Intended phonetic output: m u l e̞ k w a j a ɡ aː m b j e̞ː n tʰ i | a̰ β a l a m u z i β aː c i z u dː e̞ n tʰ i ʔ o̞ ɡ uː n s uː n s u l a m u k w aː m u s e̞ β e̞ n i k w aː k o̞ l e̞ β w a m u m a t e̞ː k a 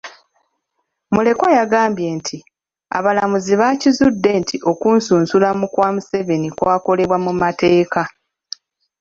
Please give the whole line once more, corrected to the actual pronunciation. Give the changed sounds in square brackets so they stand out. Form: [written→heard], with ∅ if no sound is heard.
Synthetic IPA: m u l e̞ k w a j a ɡ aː m b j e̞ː n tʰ i | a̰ β a l a m u z i β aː c i z u dː e̞ n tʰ i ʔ o̞ [ɡ→k] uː n s uː n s u l a m u k w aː m u s e̞ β e̞ n i k w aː k o̞ l e̞ β w a m u m a t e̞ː k a